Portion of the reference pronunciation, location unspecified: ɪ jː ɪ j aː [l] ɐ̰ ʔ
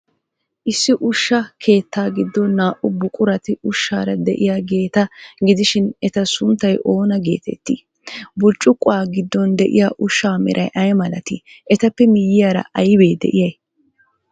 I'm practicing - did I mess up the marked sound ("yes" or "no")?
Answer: yes